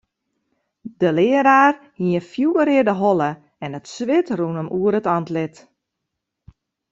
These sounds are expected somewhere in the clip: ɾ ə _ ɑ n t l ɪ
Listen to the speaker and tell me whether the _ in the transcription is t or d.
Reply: t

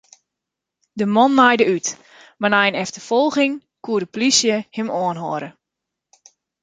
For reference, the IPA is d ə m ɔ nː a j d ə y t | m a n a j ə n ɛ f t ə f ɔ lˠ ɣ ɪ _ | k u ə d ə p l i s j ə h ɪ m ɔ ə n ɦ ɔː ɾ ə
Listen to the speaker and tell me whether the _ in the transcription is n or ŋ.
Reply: ŋ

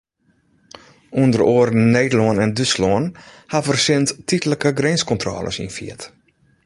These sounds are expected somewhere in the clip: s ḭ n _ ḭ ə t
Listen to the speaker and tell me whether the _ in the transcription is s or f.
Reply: f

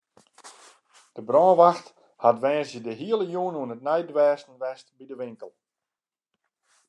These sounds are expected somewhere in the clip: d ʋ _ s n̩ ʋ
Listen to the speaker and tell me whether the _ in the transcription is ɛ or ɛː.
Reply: ɛː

